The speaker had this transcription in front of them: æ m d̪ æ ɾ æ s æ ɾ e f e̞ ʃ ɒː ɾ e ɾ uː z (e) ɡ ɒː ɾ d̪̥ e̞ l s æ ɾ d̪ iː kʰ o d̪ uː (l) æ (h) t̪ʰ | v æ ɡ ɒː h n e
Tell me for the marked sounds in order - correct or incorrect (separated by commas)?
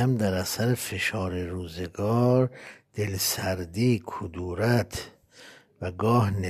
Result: correct, incorrect, incorrect